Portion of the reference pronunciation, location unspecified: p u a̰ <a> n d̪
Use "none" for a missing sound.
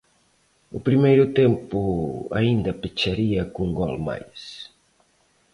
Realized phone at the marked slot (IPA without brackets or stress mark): i